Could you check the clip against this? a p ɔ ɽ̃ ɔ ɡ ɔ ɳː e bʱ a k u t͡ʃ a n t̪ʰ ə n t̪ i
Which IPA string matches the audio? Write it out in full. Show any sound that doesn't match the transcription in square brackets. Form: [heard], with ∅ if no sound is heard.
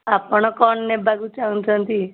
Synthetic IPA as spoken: a p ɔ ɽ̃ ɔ [k] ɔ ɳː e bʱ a [ɡ] u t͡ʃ a n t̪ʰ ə n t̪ i

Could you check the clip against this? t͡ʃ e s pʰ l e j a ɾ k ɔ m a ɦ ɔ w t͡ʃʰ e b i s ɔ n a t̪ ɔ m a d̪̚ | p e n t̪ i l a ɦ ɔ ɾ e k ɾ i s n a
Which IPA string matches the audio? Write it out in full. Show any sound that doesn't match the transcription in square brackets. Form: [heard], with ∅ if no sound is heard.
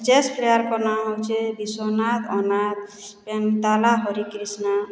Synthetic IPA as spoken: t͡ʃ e s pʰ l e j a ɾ k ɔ [n] a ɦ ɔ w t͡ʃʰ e b i s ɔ n a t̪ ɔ [n] a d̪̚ | p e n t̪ [a] l a ɦ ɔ ɾ [i] k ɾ i s n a

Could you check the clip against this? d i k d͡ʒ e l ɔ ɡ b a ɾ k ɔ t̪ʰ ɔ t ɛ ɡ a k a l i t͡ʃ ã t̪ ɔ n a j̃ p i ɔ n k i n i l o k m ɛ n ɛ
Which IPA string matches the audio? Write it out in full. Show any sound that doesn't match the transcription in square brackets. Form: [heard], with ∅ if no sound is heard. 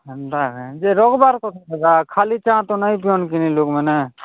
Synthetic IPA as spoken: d [a] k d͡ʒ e [ɾ] ɔ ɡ b a ɾ k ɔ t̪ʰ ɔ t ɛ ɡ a [kʰ] a l i t͡ʃ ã t̪ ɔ n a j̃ p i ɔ n k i n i l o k m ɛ n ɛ

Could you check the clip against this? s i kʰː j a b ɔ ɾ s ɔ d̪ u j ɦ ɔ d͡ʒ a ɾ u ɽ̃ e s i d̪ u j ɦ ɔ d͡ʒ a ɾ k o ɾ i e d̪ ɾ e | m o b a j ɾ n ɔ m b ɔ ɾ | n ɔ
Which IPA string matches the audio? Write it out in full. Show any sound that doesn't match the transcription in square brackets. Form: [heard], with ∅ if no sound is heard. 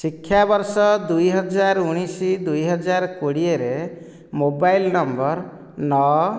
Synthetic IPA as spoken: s i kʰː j a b ɔ ɾ s ɔ d̪ u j ɦ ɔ d͡ʒ a ɾ u ɽ̃ [i] s i d̪ u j ɦ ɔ d͡ʒ a ɾ k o [ɽ] i e [∅] ɾ e | m o b a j [l] n ɔ m b ɔ ɾ | n ɔ

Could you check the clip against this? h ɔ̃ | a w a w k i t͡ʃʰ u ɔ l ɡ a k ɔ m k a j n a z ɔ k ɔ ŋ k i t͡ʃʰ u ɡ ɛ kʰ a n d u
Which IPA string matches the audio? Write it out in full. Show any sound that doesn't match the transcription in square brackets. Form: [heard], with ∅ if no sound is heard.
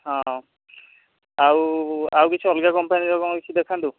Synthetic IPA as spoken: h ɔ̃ | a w a w k i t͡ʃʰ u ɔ l ɡ a k ɔ m [p] a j n [i] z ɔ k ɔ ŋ k i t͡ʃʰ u [d] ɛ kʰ a n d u

